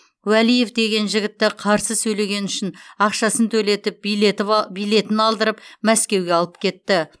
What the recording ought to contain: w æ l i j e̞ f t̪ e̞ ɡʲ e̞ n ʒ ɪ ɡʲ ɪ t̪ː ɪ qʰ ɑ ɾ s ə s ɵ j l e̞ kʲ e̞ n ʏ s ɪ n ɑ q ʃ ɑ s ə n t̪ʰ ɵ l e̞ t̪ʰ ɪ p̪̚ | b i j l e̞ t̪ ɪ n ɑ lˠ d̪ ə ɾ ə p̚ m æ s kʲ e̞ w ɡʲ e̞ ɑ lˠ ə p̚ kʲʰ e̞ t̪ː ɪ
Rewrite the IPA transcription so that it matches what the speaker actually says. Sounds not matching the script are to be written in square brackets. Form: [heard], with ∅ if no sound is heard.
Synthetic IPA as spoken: w æ l i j e̞ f [d̪] e̞ ɡʲ e̞ n ʒ ɪ ɡʲ ɪ t̪ː ɪ qʰ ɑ ɾ s ə s ɵ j l e̞ [ɡʲ] e̞ n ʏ [ʃ] ɪ n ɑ q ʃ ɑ s ə n t̪ʰ ɵ l e̞ [t̪] ɪ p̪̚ | b i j l e̞ t̪ ɪ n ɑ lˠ d̪ ə ɾ ə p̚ m æ s kʲ e̞ w ɡʲ e̞ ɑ lˠ ə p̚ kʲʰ e̞ t̪ː ɪ